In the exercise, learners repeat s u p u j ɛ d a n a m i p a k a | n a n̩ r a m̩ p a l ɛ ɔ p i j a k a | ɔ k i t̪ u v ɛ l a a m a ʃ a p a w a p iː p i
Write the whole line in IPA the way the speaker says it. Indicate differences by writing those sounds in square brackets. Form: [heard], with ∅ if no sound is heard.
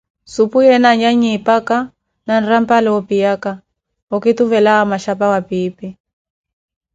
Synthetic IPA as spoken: s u p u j ɛ [n] a [ɲ] a [ɲ] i p a k a | n a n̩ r a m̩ p a l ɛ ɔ p i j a k a | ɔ k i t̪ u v ɛ l a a m a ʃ a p a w a p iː p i